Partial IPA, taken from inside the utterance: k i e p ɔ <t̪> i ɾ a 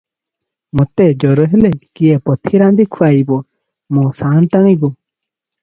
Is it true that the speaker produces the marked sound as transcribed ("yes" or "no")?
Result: no